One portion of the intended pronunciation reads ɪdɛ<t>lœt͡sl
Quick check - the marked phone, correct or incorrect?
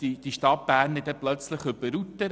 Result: incorrect